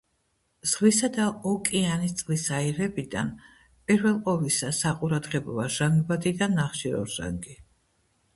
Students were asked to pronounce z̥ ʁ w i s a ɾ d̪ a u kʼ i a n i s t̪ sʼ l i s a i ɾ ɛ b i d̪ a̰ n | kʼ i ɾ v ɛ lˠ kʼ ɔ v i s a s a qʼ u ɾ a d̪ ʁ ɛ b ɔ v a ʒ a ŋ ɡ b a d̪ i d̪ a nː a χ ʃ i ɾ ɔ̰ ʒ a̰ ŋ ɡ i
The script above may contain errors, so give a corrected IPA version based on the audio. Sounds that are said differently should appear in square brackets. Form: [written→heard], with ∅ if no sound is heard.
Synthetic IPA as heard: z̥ ʁ w i s a [ɾ→∅] d̪ a [u→ɔ] kʼ i a n i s t̪ sʼ l i s a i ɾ ɛ b i d̪ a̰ n | [kʼ→pʼ] i ɾ v ɛ lˠ [kʼ→qʼ] ɔ v i s a s a qʼ u ɾ a d̪ ʁ ɛ b ɔ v a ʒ a ŋ ɡ b a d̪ i d̪ a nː a χ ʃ i ɾ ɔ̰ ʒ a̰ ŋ ɡ i